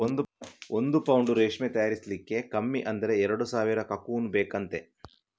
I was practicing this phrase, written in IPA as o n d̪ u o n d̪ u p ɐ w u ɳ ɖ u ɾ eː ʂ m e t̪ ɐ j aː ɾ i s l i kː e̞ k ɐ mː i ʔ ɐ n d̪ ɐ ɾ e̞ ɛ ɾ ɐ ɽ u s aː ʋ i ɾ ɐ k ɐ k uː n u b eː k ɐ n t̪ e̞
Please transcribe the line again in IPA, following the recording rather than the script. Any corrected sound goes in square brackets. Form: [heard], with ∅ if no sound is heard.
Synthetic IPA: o n d̪ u o n d̪ u p ɐ w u ɳ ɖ u ɾ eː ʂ m e t̪ ɐ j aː ɾ i s l i kː e̞ k ɐ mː i ʔ ɐ n d̪ ɐ ɾ e̞ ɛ ɾ ɐ ɽ u s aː ʋ i ɾ ɐ k ɐ k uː n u b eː k ɐ n t̪ e̞